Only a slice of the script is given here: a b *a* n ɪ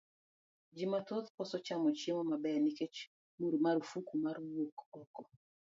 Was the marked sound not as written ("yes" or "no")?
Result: yes